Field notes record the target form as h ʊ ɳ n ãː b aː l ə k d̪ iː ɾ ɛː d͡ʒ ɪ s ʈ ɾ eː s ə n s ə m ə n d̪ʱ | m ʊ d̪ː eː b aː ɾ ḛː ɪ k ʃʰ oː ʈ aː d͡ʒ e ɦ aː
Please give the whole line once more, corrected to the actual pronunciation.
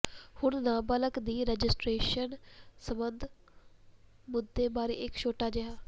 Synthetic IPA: h ʊ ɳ n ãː b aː l ə k d̪ iː ɾ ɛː d͡ʒ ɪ s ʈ ɾ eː ʃ ə n s ə m ə n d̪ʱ | m ʊ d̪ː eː b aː ɾ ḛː ɪ k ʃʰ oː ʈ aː d͡ʒ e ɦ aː

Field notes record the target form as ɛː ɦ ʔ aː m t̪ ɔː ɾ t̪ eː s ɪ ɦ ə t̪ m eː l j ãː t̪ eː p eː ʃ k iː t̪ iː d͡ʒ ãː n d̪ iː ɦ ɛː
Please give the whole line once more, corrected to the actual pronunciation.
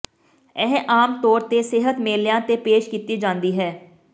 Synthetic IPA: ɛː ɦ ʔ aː m t̪ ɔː ɾ t̪ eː s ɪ ɦ ə t̪ m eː l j ãː t̪ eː p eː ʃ k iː t̪ iː d͡ʒ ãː n d̪ iː ɦ ɛː

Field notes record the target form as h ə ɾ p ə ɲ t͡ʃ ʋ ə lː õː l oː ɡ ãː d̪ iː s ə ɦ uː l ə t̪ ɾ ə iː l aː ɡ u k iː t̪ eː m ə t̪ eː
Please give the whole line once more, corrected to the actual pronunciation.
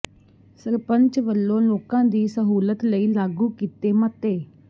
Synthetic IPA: s ə ɾ p ə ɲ t͡ʃ ʋ ə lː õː l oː k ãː d̪ iː s ə ɦ uː l ə t̪ l ə iː l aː ɡ uː k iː t̪ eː m ə t̪ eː

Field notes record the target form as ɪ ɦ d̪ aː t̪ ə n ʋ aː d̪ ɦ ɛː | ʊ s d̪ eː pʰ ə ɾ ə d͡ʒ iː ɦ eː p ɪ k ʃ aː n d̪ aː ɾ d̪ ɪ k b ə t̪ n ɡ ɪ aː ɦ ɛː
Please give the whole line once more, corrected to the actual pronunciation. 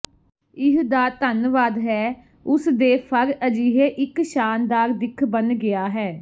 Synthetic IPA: ɪ ɦ d̪ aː t̪ ə n ʋ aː d̪ ɦ ɛː | ʊ s d̪ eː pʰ ə ɾ ə d͡ʒ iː ɦ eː ʔ ɪ k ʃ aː n d̪ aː ɾ d̪ ɪ kʰ b ə n ɡ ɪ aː ɦ ɛː

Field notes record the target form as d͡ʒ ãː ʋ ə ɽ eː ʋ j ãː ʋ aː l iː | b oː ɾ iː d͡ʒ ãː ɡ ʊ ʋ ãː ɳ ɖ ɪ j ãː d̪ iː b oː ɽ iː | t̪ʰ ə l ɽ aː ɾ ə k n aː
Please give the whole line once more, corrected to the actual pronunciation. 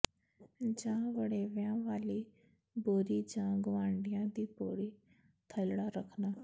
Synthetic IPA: d͡ʒ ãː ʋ ə ɽ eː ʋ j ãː ʋ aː l iː | b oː ɾ iː d͡ʒ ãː ɡ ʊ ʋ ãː ɳ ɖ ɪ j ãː d̪ iː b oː ɽ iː | t̪ʰ ə l ɽ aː ɾ ə kʰ n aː

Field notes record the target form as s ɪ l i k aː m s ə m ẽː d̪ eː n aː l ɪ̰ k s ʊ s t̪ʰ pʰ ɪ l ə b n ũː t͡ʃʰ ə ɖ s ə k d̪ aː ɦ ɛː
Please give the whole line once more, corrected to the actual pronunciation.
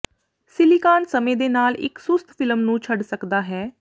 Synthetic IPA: s ɪ l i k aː n s ə m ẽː d̪ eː n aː l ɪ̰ k s ʊ s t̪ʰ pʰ ɪ l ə m n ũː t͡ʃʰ ə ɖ s ə k d̪ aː ɦ ɛː

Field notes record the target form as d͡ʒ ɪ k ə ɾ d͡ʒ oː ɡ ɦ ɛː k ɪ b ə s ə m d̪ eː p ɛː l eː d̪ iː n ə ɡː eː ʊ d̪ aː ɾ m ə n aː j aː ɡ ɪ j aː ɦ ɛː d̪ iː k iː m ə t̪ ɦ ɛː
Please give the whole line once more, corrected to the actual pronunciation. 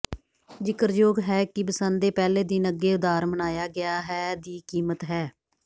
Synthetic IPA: d͡ʒ ɪ k ə ɾ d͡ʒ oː ɡ ɦ ɛː k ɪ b ə s ə n d̪ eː p ɛː l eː d̪ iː n ə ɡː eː ʊ d̪ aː ɾ m ə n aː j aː ɡ ɪ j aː ɦ ɛː d̪ iː k iː m ə t̪ ɦ ɛː

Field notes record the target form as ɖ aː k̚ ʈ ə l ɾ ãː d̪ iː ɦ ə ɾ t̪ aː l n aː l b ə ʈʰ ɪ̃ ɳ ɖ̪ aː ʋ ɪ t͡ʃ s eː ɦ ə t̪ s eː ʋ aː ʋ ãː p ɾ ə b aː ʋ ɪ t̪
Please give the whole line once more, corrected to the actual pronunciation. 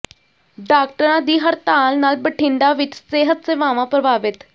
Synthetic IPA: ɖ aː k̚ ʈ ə ɾ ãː d̪ iː ɦ ə ɾ t̪ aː l n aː l b ə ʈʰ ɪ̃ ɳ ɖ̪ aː ʋ ɪ t͡ʃ s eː ɦ ə t̪ s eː ʋ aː ʋ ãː p ɾ ə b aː ʋ ɪ t̪

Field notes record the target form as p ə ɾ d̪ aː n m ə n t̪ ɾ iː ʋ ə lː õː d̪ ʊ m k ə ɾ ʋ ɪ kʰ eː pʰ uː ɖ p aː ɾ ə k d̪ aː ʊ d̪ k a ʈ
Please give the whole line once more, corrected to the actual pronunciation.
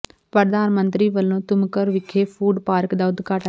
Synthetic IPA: p ə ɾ d̪ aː n m ə n t̪ ɾ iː ʋ ə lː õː t̪ ʊ m k ə ɾ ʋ ɪ kʰ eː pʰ uː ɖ p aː ɾ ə k d̪ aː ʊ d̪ k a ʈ

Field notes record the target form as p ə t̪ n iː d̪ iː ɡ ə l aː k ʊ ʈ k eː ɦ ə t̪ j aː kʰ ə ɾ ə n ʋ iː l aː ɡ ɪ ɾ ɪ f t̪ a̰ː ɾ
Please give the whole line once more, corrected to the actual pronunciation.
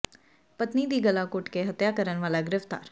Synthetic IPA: p ə t̪ n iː d̪ iː ɡ ə l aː k ʊ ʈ k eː ɦ ə t̪ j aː k ə ɾ ə n ʋ aː l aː ɡ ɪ ɾ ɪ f t̪ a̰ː ɾ

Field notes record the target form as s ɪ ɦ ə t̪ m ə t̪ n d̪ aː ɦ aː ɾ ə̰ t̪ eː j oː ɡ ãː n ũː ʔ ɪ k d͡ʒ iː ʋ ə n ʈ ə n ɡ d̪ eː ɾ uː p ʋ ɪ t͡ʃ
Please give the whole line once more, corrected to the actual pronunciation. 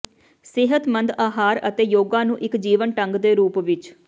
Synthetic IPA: s ɪ ɦ ə t̪ m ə n d̪ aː ɦ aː ɾ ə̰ t̪ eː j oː ɡ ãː n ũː ʔ ɪ k d͡ʒ iː ʋ ə n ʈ ə ŋ ɡ d̪ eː ɾ uː p ʋ ɪ t͡ʃ

